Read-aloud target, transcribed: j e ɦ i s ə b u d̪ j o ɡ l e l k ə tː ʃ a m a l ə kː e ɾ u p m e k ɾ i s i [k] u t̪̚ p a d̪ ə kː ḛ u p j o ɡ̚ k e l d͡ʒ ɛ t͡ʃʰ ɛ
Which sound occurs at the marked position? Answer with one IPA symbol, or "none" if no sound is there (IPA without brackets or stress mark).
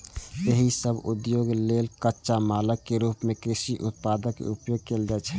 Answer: ʔ